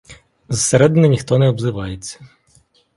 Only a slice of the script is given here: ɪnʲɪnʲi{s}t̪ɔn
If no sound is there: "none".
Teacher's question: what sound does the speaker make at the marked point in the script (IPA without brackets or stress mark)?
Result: x